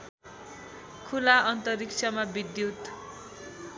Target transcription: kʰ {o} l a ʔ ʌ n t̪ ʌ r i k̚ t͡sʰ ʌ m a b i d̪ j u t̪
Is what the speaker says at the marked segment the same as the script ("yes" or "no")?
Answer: no